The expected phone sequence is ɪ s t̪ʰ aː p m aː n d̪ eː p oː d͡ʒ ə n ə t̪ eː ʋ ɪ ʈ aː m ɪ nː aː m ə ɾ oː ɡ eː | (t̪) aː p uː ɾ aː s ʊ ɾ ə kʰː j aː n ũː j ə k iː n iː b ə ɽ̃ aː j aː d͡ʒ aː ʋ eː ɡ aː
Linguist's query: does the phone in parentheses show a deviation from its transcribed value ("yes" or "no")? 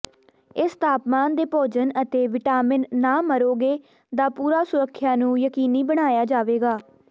yes